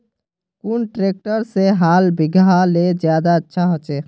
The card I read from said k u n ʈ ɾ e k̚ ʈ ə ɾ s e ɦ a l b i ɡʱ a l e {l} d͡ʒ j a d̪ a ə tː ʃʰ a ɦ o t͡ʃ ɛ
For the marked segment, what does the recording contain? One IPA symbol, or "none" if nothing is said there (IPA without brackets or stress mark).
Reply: none